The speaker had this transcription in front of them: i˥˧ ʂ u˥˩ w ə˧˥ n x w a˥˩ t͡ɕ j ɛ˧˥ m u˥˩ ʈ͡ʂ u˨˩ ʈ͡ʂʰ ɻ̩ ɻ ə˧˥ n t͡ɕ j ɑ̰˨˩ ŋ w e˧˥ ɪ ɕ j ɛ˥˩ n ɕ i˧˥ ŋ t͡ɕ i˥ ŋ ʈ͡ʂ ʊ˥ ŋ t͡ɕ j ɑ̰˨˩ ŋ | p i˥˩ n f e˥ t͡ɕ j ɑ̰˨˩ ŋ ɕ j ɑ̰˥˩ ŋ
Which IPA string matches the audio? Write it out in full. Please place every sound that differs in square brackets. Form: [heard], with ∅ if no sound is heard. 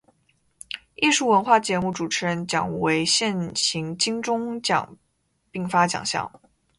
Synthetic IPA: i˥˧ ʂ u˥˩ w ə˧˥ n x w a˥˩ t͡ɕ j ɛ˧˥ m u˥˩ ʈ͡ʂ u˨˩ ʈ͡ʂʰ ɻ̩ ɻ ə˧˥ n t͡ɕ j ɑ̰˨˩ ŋ w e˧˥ ɪ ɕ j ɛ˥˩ n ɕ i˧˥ ŋ t͡ɕ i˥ ŋ ʈ͡ʂ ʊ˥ ŋ t͡ɕ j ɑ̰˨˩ ŋ | p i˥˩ [ŋ] f [a˥] t͡ɕ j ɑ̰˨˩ ŋ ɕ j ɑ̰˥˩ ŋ